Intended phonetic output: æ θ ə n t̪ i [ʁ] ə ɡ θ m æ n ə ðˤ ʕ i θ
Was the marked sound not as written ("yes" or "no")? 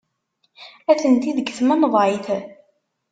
yes